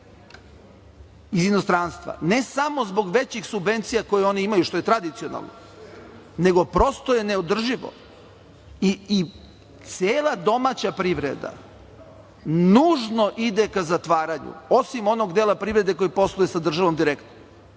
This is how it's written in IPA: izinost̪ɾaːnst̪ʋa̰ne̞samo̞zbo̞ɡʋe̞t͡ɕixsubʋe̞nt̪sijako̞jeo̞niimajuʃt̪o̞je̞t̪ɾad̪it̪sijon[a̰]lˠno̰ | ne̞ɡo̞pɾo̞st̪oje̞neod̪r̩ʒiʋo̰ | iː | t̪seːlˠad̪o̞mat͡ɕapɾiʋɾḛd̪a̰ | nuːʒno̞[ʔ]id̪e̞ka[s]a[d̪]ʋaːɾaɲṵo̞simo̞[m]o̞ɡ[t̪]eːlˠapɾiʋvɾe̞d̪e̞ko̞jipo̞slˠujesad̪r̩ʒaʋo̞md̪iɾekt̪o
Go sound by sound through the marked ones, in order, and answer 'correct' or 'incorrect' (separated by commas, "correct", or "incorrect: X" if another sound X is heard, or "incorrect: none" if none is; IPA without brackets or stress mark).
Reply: correct, correct, incorrect: z, incorrect: t̪, incorrect: n, incorrect: d̪